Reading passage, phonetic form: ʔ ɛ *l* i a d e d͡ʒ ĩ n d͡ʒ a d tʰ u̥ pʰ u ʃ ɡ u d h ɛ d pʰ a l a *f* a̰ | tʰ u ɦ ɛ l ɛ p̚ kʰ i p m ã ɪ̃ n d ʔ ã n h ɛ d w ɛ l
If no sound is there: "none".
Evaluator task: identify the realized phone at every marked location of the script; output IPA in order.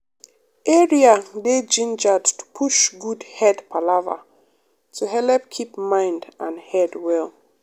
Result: ɹ, v

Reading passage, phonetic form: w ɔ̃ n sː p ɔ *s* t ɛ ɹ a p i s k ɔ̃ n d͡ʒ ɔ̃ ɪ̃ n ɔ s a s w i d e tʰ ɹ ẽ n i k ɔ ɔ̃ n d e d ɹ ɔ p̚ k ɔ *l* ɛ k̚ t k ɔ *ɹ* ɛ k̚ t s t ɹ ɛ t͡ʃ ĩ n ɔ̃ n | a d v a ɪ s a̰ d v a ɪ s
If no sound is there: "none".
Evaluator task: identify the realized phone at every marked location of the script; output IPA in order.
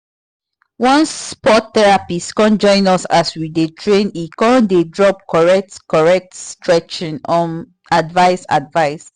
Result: t, ɹ, ɹ

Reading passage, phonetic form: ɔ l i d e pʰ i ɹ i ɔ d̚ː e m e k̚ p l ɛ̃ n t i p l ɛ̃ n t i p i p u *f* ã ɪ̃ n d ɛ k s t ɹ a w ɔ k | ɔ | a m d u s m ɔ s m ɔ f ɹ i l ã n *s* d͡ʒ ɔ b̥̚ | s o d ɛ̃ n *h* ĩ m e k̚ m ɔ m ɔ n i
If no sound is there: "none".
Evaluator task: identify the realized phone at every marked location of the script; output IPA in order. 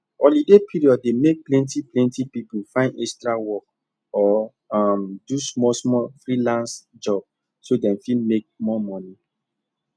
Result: f, s, f

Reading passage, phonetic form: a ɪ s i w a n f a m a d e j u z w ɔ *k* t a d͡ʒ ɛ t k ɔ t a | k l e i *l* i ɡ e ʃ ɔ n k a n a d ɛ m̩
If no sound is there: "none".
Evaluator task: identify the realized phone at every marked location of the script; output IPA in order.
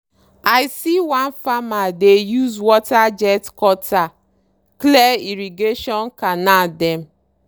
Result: none, ɾ

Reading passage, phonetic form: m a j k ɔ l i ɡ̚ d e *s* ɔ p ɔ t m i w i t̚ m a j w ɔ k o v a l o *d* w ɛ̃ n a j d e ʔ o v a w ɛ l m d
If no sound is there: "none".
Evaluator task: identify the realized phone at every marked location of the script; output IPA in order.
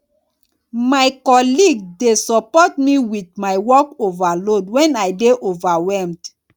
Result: s, d

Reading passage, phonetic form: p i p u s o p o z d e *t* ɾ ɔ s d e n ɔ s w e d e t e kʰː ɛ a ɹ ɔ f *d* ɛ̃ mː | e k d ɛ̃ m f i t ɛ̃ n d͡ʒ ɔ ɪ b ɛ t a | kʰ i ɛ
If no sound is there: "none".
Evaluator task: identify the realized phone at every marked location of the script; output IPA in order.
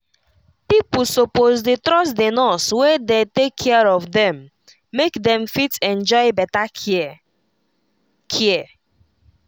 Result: t, d

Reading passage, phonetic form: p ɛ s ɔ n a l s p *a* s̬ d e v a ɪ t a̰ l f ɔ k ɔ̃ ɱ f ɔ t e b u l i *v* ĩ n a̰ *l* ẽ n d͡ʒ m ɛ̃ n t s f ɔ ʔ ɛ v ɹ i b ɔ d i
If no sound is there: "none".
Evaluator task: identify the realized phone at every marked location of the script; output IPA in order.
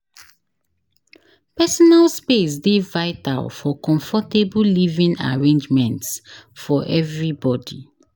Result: e, v, ɹ

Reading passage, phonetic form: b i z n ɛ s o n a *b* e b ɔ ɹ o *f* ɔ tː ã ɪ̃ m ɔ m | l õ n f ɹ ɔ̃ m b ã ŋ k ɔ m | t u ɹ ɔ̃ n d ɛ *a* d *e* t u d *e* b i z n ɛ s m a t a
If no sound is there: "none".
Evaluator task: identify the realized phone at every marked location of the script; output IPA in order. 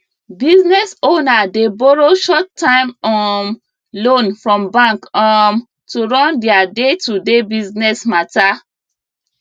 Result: d, ʃ, a, e, e

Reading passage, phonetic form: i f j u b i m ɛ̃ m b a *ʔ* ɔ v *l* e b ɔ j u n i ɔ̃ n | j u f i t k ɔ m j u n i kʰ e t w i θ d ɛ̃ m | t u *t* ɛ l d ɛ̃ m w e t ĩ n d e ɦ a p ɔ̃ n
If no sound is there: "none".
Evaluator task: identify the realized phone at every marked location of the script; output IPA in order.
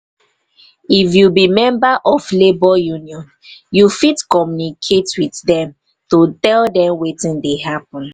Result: ʔ, l, t

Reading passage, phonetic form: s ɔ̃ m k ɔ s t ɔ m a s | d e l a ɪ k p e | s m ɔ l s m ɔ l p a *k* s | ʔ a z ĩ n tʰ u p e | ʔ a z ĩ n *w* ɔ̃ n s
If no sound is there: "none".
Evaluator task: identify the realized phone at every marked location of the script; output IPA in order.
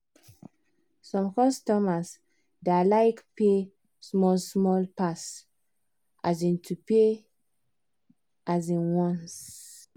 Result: none, w

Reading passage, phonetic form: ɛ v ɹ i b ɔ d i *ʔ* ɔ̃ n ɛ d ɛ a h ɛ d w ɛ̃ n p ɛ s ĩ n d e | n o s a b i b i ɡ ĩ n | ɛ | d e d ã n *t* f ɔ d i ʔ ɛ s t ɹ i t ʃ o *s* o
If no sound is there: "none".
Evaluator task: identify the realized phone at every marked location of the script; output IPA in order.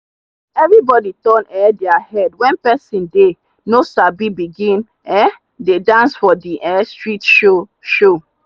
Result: t, s, ʃ

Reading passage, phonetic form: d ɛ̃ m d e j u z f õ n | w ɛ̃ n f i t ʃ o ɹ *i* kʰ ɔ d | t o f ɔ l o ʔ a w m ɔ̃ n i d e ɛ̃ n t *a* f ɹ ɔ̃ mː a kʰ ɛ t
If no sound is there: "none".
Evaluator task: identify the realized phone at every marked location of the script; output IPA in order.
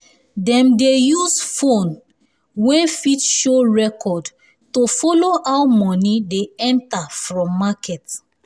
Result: ɛ, a

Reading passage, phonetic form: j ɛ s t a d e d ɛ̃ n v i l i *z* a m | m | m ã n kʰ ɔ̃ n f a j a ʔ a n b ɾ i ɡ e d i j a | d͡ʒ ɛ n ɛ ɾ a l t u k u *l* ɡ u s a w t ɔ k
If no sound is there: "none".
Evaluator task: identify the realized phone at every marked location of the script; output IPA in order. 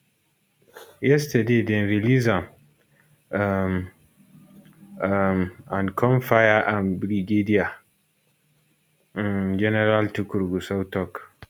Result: z, ɾ

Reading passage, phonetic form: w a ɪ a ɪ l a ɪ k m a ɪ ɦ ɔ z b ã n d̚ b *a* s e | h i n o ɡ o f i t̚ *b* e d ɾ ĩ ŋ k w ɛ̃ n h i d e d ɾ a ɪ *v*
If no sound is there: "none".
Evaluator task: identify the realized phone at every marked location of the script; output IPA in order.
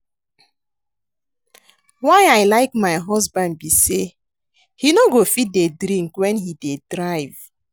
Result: i, d, v

